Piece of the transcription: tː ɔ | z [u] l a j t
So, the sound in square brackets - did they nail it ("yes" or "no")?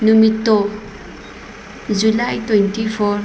yes